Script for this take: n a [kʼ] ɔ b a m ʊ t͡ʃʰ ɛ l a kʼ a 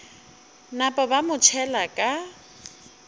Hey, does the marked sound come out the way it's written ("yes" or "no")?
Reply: no